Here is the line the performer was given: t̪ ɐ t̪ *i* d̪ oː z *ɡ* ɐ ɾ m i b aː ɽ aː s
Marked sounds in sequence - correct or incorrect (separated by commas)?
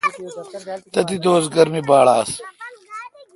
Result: correct, correct